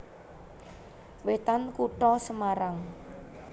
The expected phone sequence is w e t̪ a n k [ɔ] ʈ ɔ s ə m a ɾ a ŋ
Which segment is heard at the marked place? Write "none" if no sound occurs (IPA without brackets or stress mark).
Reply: u